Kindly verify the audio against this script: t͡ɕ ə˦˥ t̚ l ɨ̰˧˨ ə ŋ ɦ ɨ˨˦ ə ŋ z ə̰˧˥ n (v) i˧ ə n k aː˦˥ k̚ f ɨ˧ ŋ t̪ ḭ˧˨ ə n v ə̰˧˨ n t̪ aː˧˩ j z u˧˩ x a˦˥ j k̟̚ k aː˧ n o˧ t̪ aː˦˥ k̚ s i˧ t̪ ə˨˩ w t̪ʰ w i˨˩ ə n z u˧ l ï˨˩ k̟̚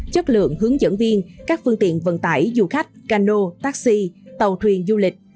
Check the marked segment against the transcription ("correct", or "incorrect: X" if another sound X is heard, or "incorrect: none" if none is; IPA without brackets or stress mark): correct